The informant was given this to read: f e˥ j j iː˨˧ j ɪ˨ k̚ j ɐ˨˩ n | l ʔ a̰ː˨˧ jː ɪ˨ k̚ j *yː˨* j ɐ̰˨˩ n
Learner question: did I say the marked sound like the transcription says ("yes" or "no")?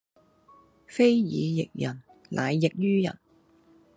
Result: no